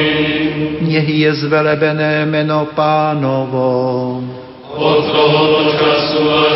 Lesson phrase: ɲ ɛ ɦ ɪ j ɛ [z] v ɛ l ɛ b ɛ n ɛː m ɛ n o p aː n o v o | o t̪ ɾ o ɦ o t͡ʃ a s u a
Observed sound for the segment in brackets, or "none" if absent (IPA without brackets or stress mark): z